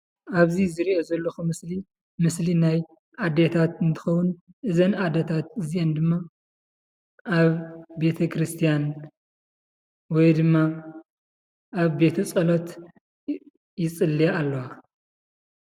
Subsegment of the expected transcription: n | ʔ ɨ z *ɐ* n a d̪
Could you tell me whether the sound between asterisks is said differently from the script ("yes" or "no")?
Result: no